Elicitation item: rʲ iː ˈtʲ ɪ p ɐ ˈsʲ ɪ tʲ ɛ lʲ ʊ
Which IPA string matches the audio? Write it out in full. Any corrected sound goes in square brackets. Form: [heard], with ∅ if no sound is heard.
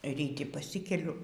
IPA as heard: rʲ iː ˈtʲ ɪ p ɐ ˈsʲ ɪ [kʲ] ɛ lʲ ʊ